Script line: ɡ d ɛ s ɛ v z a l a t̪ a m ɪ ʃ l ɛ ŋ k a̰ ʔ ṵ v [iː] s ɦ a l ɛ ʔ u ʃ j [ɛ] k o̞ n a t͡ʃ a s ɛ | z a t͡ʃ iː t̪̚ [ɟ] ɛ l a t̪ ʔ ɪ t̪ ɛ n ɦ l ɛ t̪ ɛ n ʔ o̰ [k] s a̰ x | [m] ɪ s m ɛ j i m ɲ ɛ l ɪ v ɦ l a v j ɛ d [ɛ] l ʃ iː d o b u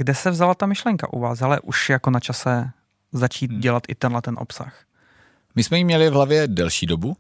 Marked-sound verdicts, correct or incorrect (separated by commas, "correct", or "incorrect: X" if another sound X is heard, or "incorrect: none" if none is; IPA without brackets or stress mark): incorrect: aː, incorrect: a, correct, incorrect: p, correct, correct